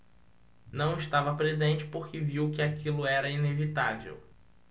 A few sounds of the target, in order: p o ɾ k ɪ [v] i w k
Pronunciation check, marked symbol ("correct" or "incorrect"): correct